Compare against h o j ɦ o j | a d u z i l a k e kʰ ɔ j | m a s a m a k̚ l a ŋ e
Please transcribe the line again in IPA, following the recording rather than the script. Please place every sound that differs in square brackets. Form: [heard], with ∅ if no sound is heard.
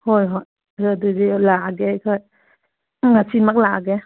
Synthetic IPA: h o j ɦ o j | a d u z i l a [ɡ] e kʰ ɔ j | [ŋ] a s [i] m a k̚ l a [ɡ] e